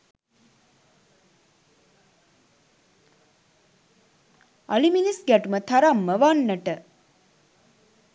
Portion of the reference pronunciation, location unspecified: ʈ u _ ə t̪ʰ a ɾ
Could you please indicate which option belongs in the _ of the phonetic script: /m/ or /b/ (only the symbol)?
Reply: m